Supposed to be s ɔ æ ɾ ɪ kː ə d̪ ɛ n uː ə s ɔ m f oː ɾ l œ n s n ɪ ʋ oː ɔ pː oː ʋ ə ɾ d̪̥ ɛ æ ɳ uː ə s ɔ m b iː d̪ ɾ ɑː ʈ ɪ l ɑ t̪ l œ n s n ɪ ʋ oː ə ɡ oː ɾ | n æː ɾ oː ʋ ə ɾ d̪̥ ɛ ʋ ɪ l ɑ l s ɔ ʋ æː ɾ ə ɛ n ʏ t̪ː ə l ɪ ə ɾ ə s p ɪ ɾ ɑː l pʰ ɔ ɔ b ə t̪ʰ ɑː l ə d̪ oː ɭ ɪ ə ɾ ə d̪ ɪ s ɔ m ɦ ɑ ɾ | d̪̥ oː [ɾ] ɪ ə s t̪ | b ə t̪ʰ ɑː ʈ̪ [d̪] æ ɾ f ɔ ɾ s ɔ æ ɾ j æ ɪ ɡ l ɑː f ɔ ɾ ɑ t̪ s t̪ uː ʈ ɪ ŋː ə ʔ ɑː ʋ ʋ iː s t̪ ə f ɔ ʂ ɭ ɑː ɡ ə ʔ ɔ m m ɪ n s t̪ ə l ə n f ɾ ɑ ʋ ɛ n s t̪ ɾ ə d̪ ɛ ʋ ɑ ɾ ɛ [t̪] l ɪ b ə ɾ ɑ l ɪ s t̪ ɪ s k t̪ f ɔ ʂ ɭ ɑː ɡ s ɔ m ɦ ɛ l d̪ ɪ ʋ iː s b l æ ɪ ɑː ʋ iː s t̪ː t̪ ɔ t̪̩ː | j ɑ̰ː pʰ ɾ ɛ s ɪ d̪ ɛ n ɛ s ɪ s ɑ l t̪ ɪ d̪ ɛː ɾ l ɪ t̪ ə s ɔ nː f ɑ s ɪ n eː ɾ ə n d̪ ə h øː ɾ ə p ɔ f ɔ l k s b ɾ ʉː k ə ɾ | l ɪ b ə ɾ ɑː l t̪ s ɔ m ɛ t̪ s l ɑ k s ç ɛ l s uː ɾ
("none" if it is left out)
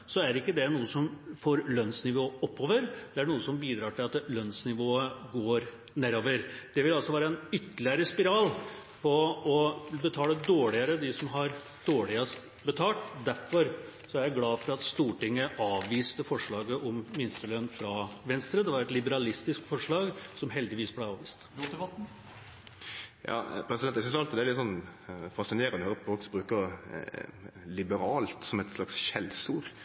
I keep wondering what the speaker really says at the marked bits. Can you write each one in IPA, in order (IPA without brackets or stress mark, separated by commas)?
ɭ, d̪, t̪